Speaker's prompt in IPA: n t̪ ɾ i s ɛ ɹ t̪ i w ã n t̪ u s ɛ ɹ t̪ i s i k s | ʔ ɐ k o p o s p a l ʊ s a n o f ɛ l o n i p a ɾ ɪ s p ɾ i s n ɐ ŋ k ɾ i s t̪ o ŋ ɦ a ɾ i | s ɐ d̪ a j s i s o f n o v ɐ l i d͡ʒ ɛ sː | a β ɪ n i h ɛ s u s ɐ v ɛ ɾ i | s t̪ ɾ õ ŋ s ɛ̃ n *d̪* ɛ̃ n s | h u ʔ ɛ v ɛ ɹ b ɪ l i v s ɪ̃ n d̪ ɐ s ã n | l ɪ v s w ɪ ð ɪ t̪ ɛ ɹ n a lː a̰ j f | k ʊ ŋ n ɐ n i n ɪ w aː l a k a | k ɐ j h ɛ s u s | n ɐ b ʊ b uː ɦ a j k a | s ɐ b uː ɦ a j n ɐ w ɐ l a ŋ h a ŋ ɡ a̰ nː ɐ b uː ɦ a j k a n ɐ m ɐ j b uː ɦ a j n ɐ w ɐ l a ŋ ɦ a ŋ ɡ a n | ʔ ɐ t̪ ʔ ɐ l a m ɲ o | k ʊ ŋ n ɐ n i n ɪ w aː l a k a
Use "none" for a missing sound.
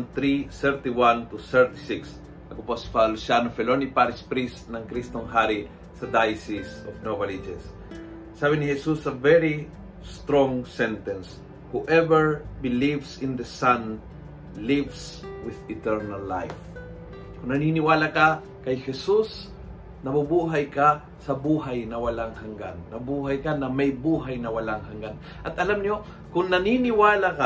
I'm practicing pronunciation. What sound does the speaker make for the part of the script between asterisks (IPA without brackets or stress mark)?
t̪